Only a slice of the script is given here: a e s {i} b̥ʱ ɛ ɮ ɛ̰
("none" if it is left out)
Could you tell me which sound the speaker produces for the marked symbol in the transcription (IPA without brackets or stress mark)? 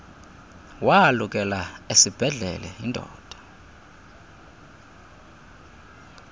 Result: i